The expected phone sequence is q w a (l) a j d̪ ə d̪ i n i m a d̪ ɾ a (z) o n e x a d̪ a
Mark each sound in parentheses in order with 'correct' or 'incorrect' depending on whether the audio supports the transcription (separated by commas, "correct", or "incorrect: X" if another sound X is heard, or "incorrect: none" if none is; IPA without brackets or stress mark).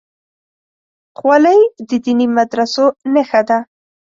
correct, incorrect: s